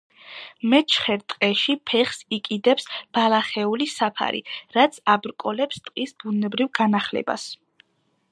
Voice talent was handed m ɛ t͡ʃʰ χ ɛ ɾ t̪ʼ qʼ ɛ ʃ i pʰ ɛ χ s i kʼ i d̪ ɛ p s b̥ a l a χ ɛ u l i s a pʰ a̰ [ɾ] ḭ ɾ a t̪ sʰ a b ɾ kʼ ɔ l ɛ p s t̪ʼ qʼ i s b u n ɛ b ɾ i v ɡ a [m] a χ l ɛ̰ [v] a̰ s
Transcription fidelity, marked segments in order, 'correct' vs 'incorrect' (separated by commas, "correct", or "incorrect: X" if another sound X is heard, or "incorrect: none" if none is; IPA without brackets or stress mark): correct, incorrect: n, incorrect: b